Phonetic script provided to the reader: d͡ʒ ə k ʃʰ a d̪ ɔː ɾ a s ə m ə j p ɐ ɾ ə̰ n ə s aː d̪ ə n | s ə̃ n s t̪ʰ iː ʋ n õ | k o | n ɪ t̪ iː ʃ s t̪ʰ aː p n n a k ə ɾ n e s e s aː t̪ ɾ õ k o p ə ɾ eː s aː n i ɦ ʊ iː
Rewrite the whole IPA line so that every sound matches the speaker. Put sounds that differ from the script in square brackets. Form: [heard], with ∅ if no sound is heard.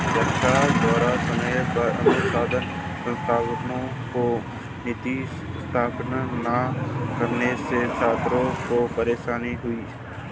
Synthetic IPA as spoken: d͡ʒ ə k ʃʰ a d̪ ɔː ɾ a s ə m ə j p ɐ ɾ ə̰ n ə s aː d̪ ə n | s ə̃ n s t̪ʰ [aː] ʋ n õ | k o | n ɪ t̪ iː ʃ s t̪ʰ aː p n n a k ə ɾ n e s e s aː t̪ ɾ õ k o p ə ɾ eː [ʃ] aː n i ɦ ʊ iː